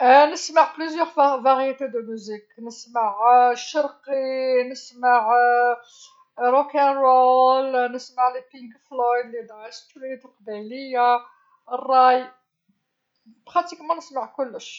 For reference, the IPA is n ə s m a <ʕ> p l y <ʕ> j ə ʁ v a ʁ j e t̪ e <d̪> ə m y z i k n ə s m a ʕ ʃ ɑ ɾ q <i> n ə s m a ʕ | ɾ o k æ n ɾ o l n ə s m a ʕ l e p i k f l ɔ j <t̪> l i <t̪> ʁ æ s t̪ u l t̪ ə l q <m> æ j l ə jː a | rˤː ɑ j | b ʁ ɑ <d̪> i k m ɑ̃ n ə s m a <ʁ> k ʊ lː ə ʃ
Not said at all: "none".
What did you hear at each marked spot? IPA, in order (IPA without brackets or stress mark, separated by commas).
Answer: ʕ, z, d̪, i, d̪, d̪, b, t̪, ʕ